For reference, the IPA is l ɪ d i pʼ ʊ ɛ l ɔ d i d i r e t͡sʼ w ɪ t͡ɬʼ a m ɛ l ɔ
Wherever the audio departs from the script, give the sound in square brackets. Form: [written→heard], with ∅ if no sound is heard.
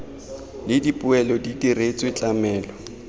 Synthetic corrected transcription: l ɪ d i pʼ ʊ ɛ l ɔ d i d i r e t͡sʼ w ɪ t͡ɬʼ a m [ɛ→ɛː] l ɔ